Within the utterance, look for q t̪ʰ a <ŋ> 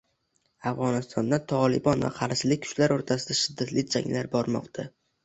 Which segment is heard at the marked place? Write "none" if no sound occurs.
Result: none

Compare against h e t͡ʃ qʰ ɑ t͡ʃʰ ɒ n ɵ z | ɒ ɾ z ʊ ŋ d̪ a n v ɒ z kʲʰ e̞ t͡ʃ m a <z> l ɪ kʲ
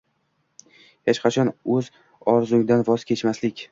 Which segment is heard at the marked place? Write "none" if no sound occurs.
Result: s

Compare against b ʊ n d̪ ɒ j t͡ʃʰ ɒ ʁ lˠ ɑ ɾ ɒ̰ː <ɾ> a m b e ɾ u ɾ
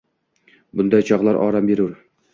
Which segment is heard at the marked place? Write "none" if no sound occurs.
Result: ɾ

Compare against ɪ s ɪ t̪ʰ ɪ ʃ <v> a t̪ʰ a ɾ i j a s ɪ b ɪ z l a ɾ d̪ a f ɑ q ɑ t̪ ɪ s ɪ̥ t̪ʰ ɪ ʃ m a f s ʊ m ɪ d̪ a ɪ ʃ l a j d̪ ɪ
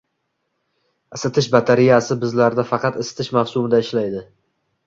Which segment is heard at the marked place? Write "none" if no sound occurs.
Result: b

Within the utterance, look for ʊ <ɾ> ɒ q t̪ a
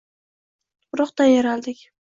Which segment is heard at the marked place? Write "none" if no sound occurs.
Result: ɾ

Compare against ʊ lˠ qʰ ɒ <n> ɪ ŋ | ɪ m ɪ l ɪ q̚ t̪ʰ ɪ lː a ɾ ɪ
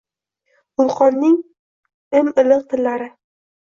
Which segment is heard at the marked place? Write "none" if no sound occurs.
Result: nː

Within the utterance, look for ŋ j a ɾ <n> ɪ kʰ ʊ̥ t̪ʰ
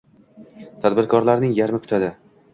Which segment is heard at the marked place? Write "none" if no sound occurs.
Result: m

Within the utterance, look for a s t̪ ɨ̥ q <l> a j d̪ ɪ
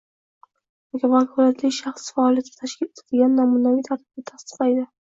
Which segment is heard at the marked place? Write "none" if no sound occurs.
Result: l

